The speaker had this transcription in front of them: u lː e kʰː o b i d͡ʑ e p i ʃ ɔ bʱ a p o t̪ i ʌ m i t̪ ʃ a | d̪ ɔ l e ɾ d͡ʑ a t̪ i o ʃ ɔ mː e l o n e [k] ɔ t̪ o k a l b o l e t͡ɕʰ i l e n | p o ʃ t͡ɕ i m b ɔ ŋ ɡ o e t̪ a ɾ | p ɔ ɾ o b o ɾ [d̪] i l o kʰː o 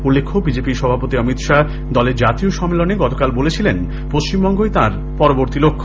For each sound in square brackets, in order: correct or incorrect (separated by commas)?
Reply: incorrect, incorrect